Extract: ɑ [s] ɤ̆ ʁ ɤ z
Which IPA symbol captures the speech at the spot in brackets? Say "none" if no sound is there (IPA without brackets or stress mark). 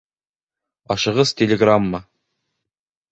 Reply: ʃ